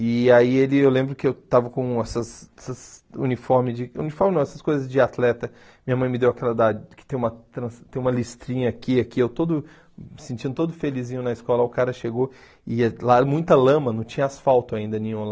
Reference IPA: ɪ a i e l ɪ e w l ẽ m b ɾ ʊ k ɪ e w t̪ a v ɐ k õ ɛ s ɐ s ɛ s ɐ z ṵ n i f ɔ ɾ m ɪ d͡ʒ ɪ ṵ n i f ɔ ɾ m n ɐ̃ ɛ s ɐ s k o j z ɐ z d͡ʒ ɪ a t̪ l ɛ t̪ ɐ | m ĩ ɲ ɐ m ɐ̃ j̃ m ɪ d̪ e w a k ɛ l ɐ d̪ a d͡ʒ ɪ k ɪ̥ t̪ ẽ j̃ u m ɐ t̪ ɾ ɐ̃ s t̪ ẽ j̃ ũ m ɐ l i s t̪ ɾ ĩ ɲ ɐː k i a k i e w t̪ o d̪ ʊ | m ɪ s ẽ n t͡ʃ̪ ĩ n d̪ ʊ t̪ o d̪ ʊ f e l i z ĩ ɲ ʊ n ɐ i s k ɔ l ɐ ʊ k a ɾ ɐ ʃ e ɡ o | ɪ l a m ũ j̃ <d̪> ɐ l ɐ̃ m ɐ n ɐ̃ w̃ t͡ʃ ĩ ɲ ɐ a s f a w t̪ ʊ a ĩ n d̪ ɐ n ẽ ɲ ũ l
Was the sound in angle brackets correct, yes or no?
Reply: no